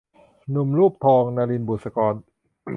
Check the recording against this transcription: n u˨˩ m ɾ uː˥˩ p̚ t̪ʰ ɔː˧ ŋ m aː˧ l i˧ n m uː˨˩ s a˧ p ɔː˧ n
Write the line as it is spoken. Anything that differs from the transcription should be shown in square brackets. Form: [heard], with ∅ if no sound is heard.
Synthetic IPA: n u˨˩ m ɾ uː˥˩ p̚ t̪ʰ ɔː˧ ŋ [n] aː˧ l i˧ n [b] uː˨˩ s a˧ [k] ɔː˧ n